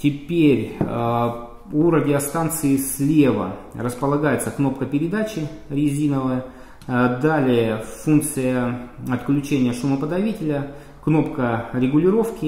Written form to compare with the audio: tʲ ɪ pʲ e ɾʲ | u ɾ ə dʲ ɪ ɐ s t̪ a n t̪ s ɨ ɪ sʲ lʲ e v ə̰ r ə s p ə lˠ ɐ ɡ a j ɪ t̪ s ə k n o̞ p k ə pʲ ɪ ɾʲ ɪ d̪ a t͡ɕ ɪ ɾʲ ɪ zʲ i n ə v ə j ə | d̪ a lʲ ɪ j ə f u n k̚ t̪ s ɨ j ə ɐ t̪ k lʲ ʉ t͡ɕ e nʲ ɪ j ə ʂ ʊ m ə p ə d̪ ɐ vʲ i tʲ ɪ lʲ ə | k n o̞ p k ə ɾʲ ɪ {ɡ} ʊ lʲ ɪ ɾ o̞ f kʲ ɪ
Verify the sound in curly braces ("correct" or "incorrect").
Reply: correct